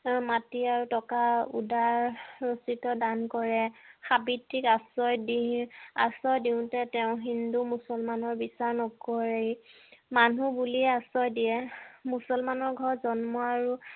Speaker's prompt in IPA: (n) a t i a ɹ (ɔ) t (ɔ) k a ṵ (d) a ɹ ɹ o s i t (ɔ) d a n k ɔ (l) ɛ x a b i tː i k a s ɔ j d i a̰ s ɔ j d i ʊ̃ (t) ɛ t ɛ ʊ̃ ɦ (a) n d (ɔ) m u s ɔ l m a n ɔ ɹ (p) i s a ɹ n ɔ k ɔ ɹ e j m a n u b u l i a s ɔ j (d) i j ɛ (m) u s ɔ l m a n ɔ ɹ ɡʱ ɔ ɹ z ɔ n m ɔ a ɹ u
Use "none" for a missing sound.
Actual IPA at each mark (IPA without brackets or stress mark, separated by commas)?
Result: m, u, ɔ, d, ɔ, ɹ, t, i, u, b, d, m